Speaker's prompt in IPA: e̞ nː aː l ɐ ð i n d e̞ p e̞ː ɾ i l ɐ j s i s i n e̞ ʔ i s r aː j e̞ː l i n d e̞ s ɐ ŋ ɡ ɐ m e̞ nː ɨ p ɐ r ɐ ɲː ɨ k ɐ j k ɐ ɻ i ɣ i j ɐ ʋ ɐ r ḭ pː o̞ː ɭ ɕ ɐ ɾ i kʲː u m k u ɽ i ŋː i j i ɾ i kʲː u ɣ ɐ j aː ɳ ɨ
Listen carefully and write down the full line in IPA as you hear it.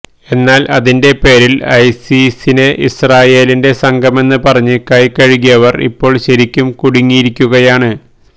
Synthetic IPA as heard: e̞ nː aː l ɐ ð i n d e̞ p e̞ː ɾ i l ɐ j s i s i n e̞ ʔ i s r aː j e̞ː l i n d e̞ s ɐ ŋ ɡ ɐ m e̞ nː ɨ p ɐ r ɐ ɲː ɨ k ɐ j k ɐ ɻ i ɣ i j ɐ ʋ ɐ r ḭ pː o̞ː ɭ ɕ ɐ ɾ i kʲː u m k u ɽ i ŋː i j i ɾ i kʲː u ɣ ɐ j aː ɳ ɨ